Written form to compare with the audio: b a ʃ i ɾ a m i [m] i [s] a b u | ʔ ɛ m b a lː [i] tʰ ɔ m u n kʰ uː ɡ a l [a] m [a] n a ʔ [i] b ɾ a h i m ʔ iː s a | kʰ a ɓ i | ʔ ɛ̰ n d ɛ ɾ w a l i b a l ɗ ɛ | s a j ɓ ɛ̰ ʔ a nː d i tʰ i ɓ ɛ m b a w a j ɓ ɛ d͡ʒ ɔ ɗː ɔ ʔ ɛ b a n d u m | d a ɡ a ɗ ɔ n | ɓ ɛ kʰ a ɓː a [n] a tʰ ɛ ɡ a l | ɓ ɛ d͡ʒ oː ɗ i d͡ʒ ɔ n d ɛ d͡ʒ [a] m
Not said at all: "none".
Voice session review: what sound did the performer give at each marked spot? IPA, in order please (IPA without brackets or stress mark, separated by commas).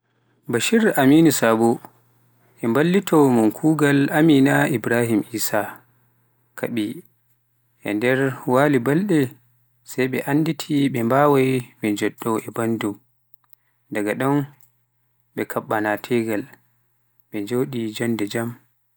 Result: n, s, i, a, i, i, n, a